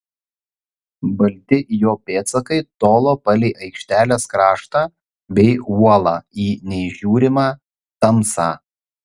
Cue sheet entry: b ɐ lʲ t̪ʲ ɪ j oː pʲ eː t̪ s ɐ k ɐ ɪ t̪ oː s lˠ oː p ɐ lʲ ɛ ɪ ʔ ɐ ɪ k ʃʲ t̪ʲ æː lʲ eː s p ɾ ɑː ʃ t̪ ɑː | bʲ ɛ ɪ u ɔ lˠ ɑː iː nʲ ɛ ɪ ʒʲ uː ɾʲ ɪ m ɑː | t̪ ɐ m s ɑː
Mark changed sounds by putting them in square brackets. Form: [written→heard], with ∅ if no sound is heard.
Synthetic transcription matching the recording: b ɐ lʲ t̪ʲ ɪ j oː pʲ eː t̪ s ɐ k ɐ ɪ t̪ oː [s→∅] lˠ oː p ɐ lʲ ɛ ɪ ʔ ɐ ɪ k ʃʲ t̪ʲ æː lʲ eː s [p→k] ɾ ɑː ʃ t̪ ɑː | bʲ ɛ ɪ u ɔ lˠ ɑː iː nʲ ɛ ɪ ʒʲ uː ɾʲ ɪ m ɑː | t̪ ɐ m s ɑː